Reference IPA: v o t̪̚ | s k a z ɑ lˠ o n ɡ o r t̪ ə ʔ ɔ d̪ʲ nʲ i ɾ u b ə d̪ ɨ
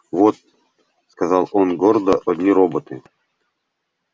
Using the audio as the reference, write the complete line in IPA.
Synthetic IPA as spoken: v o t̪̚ | s k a z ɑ lˠ o n ɡ o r d̪ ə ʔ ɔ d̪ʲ nʲ i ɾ o b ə t̪ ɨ